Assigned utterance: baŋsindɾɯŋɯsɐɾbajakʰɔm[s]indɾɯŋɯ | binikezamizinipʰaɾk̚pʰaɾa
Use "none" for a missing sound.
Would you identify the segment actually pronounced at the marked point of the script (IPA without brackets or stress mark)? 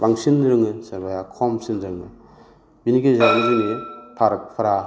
s